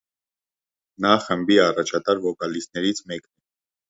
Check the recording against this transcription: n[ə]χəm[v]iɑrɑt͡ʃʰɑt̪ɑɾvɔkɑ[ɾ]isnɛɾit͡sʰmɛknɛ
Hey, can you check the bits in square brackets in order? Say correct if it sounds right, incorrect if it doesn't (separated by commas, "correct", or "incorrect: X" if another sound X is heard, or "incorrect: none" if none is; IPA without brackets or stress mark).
incorrect: ɑ, incorrect: b, incorrect: l